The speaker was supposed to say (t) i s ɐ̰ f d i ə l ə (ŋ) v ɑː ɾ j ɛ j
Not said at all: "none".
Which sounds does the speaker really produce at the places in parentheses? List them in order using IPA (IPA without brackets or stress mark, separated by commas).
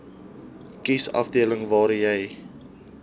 k, ŋ